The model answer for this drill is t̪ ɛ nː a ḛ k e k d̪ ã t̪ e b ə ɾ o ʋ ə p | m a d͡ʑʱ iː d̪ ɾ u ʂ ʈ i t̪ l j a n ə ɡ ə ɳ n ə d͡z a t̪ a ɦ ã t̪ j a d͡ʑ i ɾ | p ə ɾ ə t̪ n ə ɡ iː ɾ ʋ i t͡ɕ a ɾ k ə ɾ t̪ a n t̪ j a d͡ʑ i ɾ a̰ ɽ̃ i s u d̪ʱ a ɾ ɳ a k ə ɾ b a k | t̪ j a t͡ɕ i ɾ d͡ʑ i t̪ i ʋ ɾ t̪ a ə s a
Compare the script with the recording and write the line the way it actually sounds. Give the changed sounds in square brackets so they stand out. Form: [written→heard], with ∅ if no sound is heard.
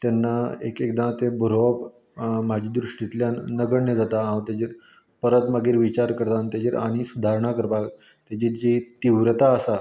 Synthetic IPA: t̪ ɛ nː a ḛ k e k d̪ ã t̪ e b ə ɾ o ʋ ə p | m a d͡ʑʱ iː d̪ ɾ u ʂ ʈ i t̪ l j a n ə ɡ ə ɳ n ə d͡z a t̪ a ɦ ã t̪ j a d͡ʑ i ɾ | p ə ɾ ə t̪ [n→m] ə ɡ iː ɾ ʋ i t͡ɕ a ɾ k ə ɾ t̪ a n t̪ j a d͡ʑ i ɾ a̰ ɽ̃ i s u d̪ʱ a ɾ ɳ a k ə ɾ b a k | t̪ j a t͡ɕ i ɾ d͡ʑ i t̪ i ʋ ɾ t̪ a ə s a